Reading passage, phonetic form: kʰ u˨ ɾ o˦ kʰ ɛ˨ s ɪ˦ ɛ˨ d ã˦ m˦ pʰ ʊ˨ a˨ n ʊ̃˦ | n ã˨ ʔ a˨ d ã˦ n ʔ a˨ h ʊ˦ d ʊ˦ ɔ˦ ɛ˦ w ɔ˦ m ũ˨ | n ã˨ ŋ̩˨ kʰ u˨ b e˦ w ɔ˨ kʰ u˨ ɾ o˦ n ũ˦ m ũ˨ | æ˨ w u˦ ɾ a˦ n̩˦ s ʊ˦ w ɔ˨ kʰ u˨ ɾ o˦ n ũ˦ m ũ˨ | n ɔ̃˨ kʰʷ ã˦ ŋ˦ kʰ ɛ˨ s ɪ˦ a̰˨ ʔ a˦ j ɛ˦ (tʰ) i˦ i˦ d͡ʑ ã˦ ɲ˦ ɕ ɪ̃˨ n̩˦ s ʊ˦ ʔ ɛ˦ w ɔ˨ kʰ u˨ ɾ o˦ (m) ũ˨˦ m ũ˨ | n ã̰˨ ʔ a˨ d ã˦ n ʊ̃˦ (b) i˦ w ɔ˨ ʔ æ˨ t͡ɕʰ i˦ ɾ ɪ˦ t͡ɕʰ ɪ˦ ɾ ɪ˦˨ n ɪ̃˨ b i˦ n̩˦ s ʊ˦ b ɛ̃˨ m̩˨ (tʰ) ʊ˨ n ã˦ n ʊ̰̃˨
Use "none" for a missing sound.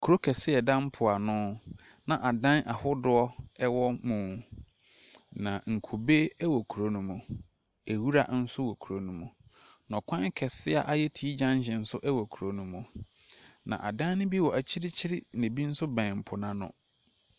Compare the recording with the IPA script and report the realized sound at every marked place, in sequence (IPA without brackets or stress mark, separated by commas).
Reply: tʰ, n, b, pʰ